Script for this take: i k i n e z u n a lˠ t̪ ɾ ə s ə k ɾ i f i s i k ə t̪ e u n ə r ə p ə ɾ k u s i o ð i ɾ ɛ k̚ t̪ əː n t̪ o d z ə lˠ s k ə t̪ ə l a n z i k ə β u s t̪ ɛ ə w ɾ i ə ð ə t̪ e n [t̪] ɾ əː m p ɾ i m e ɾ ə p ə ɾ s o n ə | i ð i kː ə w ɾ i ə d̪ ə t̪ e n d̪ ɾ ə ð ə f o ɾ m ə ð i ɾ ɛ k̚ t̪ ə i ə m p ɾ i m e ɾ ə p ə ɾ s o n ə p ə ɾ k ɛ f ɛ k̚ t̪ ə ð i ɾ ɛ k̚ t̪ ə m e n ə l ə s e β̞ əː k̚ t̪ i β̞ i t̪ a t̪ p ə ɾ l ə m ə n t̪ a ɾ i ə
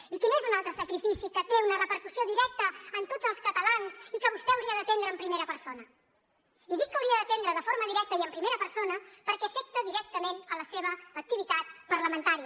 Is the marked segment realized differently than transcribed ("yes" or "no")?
yes